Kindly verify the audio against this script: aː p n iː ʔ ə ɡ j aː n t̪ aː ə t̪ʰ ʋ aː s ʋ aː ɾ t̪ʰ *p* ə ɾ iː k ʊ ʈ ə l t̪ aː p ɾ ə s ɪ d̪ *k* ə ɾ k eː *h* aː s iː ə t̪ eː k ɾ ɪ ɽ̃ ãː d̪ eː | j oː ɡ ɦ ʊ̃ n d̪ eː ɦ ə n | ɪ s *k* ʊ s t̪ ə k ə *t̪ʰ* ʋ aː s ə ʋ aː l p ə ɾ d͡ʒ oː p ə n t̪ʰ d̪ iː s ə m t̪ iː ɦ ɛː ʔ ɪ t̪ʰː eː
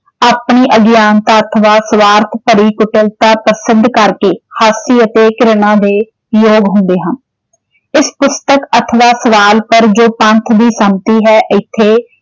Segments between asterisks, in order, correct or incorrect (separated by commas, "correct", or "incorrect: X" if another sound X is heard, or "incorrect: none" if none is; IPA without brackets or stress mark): correct, correct, correct, incorrect: p, correct